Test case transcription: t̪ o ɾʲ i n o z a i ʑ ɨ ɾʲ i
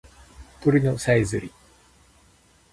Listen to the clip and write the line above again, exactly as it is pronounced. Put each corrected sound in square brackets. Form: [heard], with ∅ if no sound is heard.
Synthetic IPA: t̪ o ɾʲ i n o [s] a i [z] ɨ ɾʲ i